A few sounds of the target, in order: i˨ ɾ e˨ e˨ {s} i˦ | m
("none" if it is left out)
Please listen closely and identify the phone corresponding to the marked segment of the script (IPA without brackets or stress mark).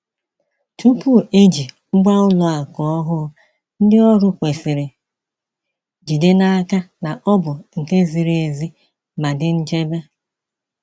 z